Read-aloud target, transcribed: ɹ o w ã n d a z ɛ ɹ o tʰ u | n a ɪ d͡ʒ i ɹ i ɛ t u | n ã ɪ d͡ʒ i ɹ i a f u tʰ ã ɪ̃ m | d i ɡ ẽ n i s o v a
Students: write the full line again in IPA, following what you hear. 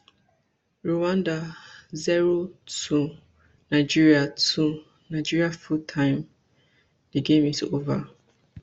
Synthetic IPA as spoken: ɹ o w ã n d a z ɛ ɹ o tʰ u | n a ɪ d͡ʒ i ɹ i a t u | n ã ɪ d͡ʒ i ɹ i a f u tʰ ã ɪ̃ m | d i ɡ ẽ m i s o v a

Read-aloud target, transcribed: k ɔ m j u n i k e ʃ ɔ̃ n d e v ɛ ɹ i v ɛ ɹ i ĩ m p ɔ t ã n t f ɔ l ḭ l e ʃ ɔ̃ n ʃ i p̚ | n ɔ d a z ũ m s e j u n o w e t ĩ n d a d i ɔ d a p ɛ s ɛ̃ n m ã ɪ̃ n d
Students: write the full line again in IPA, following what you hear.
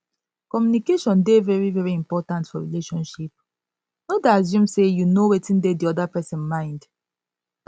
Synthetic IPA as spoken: k ɔ m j u n i k e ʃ ɔ̃ n d e v ɛ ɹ i v ɛ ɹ i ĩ m p ɔ t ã n t f ɔ ɹ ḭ l e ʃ ɔ̃ n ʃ i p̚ | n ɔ d a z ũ m s e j u n o w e t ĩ n d e d i ɔ d a p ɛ s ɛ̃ n m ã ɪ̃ n d

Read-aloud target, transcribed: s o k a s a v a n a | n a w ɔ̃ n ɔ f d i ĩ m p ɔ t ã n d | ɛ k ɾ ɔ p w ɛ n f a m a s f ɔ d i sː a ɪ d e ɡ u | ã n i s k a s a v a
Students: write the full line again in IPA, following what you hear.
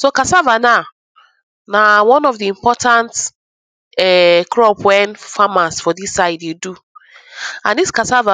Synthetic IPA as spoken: s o k a s a v a n a | n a w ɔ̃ n ɔ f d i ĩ m p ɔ t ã n t | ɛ k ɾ ɔ p w ɛ n f a m a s f ɔ d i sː a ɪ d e d u | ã n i s k a s a v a

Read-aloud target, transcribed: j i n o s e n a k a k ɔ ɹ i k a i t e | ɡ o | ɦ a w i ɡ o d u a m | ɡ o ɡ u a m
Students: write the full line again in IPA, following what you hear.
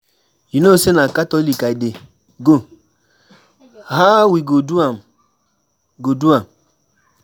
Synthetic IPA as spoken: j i n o s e n a k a t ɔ l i k a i d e | ɡ o | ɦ a w i ɡ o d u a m | ɡ o d u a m

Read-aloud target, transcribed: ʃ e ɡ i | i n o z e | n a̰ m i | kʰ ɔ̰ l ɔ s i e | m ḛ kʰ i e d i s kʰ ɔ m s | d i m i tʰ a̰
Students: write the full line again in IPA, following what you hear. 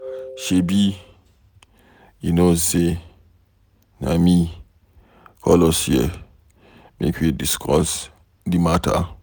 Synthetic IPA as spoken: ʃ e b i | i n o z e | n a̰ m i | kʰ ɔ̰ l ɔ s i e | m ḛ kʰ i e d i s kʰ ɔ s | d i m a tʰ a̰

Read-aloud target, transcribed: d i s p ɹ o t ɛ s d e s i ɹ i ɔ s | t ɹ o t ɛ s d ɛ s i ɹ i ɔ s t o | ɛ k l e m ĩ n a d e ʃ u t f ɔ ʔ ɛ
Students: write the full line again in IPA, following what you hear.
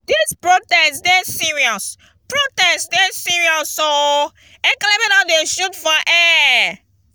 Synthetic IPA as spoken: d i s p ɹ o t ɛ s d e s i ɹ i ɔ s | p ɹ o t ɛ s d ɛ s i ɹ i ɔ s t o | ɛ k l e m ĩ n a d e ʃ u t f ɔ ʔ ɛ

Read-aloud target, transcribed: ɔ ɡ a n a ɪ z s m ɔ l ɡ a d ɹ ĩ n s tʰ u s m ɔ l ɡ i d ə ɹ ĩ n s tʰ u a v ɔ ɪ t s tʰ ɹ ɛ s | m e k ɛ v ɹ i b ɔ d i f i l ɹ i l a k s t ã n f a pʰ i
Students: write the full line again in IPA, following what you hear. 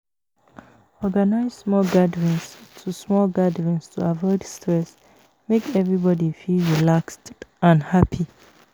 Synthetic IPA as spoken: ɔ ɡ a n a ɪ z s m ɔ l ɡ a d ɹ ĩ n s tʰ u s m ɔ l ɡ a d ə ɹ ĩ n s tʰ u a v ɔ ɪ d s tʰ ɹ ɛ s | m e k ɛ v ɹ i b ɔ d i f i l ɹ i l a k s t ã n h a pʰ i

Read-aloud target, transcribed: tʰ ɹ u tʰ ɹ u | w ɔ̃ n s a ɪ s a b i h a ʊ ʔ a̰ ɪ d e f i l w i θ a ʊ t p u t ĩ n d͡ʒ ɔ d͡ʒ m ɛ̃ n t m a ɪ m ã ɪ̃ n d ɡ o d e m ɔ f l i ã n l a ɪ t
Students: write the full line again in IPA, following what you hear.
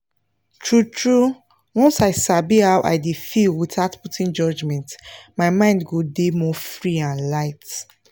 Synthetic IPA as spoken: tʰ ɹ u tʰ ɹ u | w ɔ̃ n s a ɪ s a b i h a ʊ ʔ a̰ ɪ d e f i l w i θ a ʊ t p u t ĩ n d͡ʒ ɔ d͡ʒ m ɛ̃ n t m a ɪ m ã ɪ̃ n d ɡ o d e m ɔ f ɹ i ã n l a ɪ t

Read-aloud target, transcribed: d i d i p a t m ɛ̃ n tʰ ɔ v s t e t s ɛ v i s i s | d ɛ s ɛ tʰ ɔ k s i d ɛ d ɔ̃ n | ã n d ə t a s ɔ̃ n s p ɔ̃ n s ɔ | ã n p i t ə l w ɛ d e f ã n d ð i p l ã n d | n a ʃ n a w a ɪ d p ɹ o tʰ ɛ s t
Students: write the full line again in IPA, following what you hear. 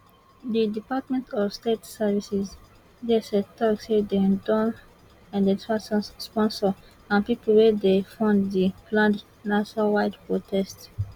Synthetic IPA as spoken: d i d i p a t m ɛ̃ n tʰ ɔ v s t e t s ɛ v i s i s | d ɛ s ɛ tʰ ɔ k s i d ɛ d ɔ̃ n | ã n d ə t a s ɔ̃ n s p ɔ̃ n s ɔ | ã n p i p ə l w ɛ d e f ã n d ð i p l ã n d | n a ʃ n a w a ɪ d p ɹ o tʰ ɛ s t

